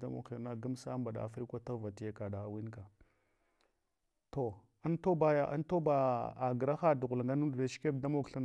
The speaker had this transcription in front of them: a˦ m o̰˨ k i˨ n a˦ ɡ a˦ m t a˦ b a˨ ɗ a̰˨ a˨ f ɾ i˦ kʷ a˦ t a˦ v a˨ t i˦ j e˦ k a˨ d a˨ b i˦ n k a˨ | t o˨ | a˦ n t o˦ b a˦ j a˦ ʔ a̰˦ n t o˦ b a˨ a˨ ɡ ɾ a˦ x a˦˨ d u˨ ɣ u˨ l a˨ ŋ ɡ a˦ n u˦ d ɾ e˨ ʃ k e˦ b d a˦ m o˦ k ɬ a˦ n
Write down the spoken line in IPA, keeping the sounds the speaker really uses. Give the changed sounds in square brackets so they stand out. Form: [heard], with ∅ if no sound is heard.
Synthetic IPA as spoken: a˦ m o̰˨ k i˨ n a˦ ɡ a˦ m [s] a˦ b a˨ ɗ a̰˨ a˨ f ɾ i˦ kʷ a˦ t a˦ v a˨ t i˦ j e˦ k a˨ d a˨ [w] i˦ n k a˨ | t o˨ | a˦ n t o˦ b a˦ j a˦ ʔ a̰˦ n t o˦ b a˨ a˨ ɡ ɾ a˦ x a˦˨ d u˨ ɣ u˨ l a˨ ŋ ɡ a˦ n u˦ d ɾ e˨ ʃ k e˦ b d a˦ m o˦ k ɬ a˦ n